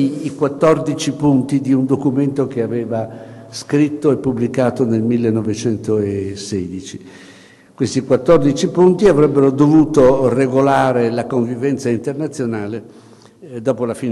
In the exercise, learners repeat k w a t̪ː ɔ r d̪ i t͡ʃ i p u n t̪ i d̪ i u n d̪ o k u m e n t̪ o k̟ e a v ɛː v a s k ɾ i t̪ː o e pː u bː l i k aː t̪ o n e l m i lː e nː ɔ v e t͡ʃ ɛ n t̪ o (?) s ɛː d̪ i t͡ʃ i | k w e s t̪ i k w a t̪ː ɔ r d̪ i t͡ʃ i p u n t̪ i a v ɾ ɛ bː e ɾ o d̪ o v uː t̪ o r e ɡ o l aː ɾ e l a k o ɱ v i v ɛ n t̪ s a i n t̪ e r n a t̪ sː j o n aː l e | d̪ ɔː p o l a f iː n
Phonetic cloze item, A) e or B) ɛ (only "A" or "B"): A